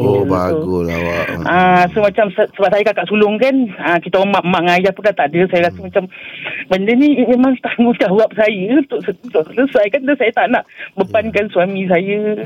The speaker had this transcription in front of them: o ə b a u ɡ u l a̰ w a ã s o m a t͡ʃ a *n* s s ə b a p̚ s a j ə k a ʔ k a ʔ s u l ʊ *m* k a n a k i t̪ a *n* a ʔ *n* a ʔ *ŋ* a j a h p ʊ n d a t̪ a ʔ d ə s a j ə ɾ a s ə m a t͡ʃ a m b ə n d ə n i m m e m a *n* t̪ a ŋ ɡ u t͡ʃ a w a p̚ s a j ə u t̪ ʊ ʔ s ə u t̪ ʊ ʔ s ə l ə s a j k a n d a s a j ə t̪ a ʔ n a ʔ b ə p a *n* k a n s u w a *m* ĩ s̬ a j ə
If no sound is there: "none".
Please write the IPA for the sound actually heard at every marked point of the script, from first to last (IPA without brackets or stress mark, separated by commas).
m, ŋ, m, m, ŋ, ŋ, n, m